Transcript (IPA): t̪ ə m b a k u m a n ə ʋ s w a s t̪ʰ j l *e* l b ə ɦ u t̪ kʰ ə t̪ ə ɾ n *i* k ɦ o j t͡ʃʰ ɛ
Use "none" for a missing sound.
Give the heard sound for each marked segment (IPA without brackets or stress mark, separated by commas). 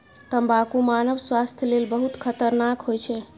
e, a